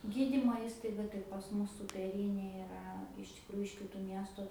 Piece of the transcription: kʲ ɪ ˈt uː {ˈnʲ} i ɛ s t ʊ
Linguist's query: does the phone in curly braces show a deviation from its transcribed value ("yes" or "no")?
yes